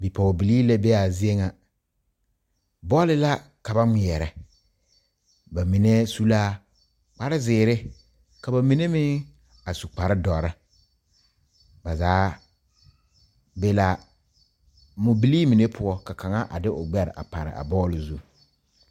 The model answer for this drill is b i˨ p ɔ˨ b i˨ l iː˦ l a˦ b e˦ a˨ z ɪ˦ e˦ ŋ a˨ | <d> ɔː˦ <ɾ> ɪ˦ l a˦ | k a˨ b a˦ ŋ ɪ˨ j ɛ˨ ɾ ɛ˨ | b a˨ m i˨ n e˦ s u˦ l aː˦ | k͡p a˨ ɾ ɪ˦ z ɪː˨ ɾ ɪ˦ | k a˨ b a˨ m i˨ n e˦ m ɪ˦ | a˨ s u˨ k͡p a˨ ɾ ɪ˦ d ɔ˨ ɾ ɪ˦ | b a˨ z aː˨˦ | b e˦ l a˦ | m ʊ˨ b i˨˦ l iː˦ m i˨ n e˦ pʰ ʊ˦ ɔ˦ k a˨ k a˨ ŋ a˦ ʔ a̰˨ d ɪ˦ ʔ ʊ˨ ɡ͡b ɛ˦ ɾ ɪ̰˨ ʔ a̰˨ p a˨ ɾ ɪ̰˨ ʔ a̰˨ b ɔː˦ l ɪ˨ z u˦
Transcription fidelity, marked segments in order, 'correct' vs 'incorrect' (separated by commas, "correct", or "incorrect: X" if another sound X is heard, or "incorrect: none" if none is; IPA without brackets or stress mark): incorrect: b, incorrect: l